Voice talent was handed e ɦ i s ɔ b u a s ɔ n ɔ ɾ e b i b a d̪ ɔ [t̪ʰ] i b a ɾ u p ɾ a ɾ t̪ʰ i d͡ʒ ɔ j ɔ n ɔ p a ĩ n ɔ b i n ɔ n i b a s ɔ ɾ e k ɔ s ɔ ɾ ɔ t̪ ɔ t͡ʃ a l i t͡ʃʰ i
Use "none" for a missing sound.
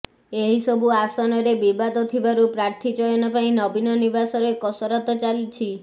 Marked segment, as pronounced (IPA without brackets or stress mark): t̪ʰ